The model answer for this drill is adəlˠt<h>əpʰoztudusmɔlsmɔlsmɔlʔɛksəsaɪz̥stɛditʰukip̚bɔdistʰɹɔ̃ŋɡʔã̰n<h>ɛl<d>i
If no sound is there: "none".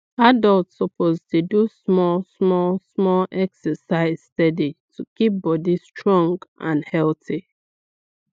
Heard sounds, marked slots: s, h, t

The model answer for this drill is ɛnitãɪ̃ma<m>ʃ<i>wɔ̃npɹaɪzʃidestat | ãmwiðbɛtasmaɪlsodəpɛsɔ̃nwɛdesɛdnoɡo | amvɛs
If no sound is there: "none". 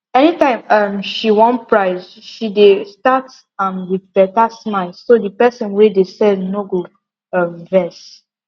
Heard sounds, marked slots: m, i

